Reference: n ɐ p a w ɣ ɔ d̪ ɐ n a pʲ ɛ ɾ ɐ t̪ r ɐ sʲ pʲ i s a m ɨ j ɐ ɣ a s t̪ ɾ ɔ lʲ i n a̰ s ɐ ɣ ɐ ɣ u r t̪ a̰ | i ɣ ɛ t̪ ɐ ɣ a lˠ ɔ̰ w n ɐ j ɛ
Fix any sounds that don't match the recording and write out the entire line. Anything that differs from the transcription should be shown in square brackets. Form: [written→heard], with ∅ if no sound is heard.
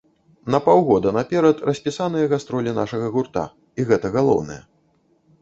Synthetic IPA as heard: n ɐ p a w ɣ ɔ d̪ ɐ n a pʲ ɛ ɾ ɐ t̪ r ɐ sʲ pʲ i s a [m→n] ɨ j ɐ ɣ a s t̪ ɾ ɔ lʲ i n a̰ [s→ʂ] ɐ ɣ ɐ ɣ u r t̪ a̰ | i ɣ ɛ t̪ ɐ ɣ a lˠ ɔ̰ w n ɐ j ɛ